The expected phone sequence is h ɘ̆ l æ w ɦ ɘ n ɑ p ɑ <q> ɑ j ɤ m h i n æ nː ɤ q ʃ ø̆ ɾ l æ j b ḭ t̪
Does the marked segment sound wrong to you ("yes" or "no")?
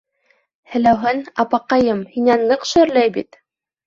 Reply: no